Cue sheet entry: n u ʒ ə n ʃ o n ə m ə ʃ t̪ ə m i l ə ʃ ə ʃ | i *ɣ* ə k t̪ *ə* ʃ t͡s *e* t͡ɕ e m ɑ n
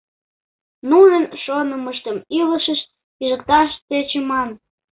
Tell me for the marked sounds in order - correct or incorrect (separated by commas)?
incorrect, incorrect, correct